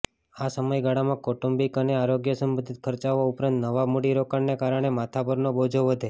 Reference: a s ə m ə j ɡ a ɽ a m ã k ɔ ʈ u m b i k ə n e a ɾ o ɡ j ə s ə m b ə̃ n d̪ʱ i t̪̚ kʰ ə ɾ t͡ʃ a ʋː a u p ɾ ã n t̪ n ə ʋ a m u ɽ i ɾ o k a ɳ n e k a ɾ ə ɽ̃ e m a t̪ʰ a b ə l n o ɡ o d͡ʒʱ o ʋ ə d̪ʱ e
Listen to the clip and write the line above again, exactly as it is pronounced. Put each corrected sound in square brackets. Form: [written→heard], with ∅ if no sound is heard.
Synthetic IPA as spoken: a s ə m ə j ɡ a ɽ a m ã k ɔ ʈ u m b i k ə n e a ɾ o ɡ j ə s ə m b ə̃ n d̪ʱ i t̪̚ kʰ ə ɾ t͡ʃ a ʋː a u p ɾ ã n t̪ n ə ʋ a m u ɽ i ɾ o k a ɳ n e k a ɾ ə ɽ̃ e m a t̪ʰ a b ə [l→ɾ] n o [ɡ→b] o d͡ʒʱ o ʋ ə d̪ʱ e

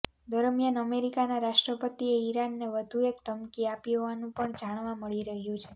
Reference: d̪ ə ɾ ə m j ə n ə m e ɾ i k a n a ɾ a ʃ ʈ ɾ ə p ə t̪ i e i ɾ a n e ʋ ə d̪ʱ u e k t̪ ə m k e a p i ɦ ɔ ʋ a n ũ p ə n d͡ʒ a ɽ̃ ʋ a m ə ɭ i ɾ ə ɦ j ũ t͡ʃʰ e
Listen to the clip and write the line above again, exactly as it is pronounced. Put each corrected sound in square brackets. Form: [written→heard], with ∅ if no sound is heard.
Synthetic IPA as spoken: d̪ ə ɾ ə m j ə n ə m e ɾ i k a n a ɾ a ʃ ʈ ɾ ə p ə t̪ i e i ɾ a [n→nː] e ʋ ə d̪ʱ u e k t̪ ə m k [e→i] a p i ɦ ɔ ʋ a n ũ p ə [n→ɳ] d͡ʒ a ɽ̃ ʋ a m ə ɭ i ɾ ə ɦ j ũ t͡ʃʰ e

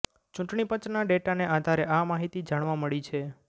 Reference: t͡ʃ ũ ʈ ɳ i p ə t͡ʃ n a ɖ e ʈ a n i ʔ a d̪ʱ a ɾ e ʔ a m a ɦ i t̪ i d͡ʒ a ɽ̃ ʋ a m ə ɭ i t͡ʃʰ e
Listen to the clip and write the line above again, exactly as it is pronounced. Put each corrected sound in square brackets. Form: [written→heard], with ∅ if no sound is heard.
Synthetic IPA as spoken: t͡ʃ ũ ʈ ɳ i p ə t͡ʃ n a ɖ e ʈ a n [i→e] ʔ a d̪ʱ a ɾ e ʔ a m a ɦ i t̪ i d͡ʒ a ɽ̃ ʋ a m ə ɭ i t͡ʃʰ e

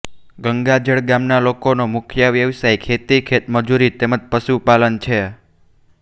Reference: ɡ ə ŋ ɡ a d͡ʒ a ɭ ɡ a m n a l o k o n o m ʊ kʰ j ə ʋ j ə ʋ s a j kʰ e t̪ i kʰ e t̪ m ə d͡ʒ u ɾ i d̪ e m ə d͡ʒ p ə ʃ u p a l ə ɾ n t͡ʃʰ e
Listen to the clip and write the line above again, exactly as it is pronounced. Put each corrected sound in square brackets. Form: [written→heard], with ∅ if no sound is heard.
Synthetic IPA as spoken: ɡ ə ŋ ɡ a d͡ʒ [a→ə] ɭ ɡ a m n a l o k o n o m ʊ kʰ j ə ʋ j ə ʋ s a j kʰ e t̪ i kʰ e t̪ m ə d͡ʒ u ɾ i [d̪→t̪] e m ə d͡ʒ p ə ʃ u p a l ə [ɾ→∅] n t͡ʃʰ e

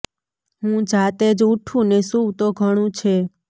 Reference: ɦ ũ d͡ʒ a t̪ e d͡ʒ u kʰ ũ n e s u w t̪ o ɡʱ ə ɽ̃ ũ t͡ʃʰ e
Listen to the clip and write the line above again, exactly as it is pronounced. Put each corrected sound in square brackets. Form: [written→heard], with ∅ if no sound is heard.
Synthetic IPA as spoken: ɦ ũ d͡ʒ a t̪ e d͡ʒ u [kʰ→ʈʰ] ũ n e s u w t̪ o ɡʱ ə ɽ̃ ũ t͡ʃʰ e

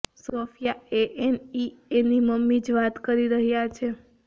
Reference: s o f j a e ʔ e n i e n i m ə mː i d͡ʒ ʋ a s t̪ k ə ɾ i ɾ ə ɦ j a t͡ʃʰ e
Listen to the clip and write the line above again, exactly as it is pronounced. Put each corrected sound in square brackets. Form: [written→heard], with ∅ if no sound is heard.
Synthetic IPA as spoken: s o f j a e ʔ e n i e n i m ə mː i d͡ʒ ʋ a [s→∅] t̪ k ə ɾ i ɾ ə ɦ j a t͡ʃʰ e

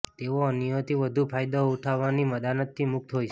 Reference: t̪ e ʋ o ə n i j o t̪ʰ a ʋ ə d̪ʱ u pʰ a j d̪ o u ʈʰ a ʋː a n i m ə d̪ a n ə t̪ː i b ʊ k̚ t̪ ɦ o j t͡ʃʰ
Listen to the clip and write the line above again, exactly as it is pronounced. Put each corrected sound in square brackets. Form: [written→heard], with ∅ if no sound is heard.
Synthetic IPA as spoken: t̪ e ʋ o ə n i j o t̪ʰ [a→i] ʋ ə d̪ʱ u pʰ a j d̪ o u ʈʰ a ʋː a n i m ə d̪ a n ə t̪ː i [b→m] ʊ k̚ t̪ ɦ o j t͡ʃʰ

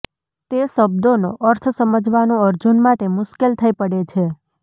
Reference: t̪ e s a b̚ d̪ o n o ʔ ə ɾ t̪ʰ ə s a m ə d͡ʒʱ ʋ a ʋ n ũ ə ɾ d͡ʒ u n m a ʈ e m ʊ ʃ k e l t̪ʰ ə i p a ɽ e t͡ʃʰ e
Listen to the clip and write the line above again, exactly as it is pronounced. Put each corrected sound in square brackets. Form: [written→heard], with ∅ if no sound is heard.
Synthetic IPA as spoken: t̪ e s [a→ə] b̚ d̪ o n o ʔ ə ɾ t̪ʰ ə s [a→ə] m ə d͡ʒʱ ʋ a [ʋ→∅] n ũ ə ɾ d͡ʒ u n m a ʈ e m ʊ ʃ k e l t̪ʰ ə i p [a→ə] ɽ e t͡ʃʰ e

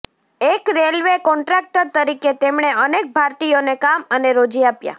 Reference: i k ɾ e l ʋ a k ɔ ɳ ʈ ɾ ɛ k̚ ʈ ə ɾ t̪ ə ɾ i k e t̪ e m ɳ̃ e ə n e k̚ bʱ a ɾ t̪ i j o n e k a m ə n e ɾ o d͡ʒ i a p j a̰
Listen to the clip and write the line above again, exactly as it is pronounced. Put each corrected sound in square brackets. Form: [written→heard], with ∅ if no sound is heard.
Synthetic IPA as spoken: [i→e] k ɾ e l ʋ [a→e] k ɔ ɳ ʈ ɾ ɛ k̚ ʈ ə ɾ t̪ ə ɾ i k e t̪ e m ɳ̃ e ə n e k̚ bʱ a ɾ t̪ i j o n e k a m ə n e ɾ o d͡ʒ i a p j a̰

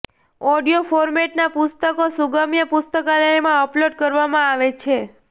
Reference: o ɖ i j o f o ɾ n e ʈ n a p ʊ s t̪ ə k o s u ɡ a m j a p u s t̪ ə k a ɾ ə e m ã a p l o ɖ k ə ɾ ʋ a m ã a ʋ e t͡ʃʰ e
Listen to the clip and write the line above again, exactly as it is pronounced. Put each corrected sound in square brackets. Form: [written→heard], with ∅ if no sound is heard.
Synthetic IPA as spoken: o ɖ i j o f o ɾ [n→m] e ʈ n a p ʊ s t̪ ə k o s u ɡ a m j [a→ə] p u s t̪ ə k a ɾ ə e m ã [a→ə] p l o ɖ k ə ɾ ʋ a m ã a ʋ e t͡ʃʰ e

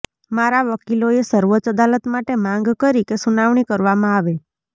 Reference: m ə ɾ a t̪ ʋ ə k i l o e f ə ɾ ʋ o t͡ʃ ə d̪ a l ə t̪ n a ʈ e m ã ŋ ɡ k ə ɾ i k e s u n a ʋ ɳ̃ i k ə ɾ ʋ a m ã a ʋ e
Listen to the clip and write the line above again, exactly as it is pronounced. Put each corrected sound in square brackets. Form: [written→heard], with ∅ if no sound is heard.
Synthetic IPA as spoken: m [ə→a] ɾ a [t̪→∅] ʋ ə k i l o e [f→s] ə ɾ ʋ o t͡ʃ ə d̪ a l ə t̪ [n→m] a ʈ e m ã ŋ ɡ k ə ɾ i k e s u n a ʋ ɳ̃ i k ə ɾ ʋ a m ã a ʋ e

